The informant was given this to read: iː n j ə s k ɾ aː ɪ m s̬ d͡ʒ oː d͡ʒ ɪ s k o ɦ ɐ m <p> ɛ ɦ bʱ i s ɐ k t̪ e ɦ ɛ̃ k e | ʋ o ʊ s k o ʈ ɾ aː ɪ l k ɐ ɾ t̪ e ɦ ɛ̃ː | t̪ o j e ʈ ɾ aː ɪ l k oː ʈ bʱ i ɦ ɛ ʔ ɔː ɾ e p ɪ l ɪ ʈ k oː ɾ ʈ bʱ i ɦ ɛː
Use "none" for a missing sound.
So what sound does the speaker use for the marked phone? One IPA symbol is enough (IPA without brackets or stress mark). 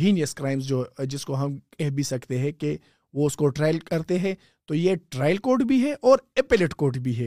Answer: k